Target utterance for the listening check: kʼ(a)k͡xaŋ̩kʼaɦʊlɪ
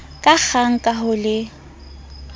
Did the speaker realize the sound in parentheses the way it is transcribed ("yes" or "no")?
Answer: yes